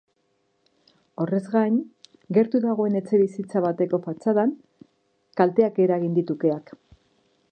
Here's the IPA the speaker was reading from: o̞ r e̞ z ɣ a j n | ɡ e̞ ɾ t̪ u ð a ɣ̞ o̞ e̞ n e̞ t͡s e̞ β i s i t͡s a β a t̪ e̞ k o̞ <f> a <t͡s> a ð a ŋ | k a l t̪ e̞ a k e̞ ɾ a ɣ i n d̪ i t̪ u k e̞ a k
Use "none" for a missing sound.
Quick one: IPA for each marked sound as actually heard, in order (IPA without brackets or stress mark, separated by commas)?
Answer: f, t͡s